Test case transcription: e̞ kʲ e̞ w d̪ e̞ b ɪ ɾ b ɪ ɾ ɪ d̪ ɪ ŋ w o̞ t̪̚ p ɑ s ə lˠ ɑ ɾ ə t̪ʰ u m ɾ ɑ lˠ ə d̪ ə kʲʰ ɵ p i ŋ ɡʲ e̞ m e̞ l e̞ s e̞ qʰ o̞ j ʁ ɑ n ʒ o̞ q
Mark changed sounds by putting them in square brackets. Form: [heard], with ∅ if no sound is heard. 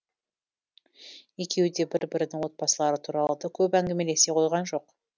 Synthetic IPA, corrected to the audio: e̞ kʲ e̞ w d̪ e̞ b ɪ ɾ b ɪ ɾ ɪ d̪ ɪ ŋ w o̞ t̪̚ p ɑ s ə lˠ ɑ ɾ ə t̪ʰ u [∅] ɾ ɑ lˠ ə d̪ ə kʲʰ ɵ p [æ] ŋ ɡʲ e̞ m e̞ l e̞ s e̞ qʰ o̞ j ʁ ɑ n ʒ o̞ q